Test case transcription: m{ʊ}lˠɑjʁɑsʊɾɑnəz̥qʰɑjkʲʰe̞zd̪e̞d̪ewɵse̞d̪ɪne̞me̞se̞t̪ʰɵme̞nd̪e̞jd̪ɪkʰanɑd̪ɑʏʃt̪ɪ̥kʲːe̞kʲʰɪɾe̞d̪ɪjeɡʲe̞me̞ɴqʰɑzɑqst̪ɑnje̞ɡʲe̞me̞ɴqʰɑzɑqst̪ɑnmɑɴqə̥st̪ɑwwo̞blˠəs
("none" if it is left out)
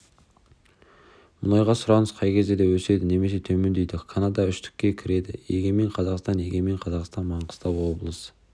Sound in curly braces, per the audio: ʊ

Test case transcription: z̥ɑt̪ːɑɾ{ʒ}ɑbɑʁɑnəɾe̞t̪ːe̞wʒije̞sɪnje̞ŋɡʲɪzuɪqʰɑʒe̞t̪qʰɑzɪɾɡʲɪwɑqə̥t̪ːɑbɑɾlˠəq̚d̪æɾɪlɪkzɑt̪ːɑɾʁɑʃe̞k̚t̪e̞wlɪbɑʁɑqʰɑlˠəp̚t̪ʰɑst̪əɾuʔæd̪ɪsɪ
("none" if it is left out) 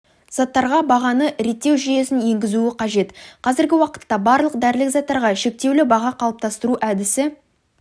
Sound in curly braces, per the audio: ʁ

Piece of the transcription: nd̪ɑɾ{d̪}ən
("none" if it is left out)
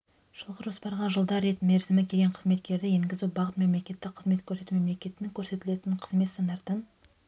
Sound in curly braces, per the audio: t̪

